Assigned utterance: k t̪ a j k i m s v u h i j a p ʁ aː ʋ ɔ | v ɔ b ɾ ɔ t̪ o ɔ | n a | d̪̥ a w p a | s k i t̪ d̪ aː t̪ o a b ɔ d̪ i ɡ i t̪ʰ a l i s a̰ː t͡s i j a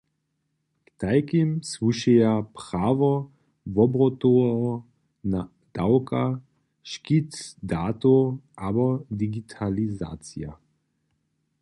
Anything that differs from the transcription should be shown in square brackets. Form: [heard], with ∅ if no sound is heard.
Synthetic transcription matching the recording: k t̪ a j k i m s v u [ʃ] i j a p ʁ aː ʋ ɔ | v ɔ b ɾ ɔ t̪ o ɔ | n a | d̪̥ a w [k] a | [ʃ] k i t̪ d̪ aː t̪ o a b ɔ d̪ i ɡ i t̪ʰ a l i [z] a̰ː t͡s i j a